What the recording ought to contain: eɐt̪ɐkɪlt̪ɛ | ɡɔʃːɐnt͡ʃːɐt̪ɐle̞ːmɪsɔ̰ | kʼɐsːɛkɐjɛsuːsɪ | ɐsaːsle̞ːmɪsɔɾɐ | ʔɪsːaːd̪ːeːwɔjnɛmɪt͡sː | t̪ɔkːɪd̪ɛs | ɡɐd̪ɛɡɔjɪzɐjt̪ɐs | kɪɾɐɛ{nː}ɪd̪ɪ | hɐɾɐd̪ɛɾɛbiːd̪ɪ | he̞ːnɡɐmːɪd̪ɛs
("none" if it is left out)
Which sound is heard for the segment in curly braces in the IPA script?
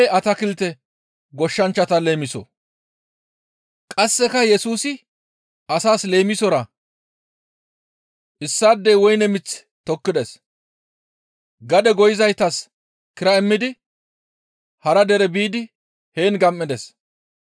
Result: mː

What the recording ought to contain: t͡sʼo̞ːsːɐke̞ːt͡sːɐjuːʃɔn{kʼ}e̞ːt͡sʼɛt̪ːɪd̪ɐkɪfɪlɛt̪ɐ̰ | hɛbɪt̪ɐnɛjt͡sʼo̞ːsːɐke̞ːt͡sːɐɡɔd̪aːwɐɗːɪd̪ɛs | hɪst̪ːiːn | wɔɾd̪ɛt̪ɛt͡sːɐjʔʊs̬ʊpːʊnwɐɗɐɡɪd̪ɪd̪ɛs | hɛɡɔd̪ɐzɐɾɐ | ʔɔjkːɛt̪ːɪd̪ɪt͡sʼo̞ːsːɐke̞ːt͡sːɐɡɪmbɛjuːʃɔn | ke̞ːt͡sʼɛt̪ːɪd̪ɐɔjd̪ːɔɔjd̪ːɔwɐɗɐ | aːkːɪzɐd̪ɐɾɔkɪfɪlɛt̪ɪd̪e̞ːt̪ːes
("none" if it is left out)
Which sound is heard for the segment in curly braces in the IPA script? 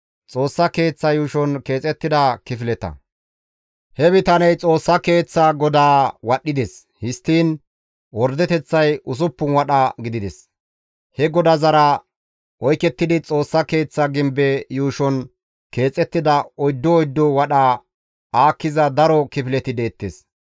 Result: k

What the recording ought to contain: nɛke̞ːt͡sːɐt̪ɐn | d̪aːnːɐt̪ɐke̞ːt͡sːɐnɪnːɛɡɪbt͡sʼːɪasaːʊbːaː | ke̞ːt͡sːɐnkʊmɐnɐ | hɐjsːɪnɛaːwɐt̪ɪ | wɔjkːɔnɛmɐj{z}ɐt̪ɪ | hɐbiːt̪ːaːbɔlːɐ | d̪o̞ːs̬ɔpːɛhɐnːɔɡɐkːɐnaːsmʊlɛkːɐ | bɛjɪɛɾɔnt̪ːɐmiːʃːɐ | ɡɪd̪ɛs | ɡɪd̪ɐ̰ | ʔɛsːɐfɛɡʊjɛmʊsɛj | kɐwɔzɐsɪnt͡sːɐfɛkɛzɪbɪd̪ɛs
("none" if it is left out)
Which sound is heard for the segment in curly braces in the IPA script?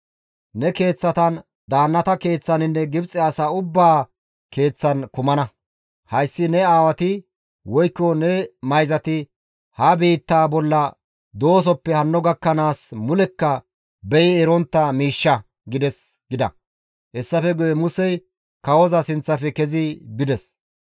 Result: z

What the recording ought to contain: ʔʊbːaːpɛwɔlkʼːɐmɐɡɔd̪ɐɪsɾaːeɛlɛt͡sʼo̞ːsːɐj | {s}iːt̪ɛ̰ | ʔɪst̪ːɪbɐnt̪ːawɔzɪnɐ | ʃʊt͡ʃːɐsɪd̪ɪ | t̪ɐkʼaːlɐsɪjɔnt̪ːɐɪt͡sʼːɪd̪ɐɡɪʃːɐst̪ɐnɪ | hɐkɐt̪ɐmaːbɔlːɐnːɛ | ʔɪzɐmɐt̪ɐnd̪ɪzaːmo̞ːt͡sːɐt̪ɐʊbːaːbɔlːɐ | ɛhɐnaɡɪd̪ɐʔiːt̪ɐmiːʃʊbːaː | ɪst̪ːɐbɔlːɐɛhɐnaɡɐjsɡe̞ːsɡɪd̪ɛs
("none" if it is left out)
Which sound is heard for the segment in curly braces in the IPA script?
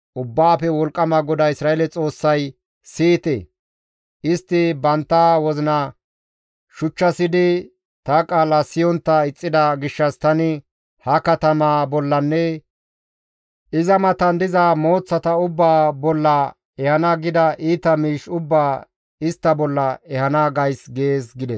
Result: s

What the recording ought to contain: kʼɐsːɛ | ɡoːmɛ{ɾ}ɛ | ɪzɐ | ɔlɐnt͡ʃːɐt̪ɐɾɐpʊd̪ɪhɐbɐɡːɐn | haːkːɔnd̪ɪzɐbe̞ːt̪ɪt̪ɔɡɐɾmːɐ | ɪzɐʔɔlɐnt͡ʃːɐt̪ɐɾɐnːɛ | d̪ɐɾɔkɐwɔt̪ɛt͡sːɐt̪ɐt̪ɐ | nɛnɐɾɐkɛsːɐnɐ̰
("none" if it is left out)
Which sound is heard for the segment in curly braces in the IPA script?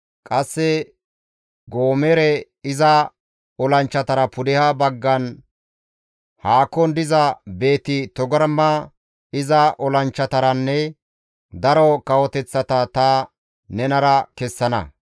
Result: ɾ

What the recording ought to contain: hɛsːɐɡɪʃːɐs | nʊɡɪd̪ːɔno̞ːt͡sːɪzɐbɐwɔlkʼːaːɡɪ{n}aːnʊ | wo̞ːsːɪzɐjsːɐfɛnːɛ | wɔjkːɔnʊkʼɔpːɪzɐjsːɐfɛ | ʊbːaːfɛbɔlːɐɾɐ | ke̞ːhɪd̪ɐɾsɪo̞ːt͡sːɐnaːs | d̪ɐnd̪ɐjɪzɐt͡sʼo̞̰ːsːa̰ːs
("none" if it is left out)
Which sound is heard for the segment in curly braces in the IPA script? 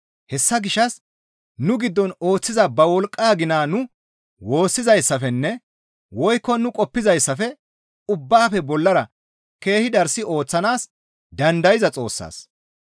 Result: n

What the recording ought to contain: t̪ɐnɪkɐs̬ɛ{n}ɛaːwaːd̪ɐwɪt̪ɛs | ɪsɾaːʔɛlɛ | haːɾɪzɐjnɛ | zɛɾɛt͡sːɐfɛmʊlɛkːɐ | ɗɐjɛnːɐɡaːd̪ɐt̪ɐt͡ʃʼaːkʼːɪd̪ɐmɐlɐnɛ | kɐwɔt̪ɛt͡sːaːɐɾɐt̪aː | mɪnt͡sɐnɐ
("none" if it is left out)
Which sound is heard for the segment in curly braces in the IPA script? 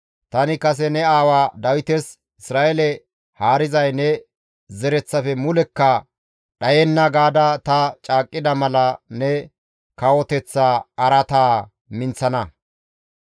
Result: n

